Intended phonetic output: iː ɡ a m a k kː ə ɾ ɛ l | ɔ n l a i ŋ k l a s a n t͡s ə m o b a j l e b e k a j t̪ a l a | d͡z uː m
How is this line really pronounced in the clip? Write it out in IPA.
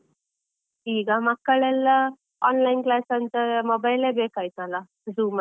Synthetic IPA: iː ɡ a m a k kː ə ɭ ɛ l | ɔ n l a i n k l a s a n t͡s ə m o b a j l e b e k a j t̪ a l a | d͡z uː m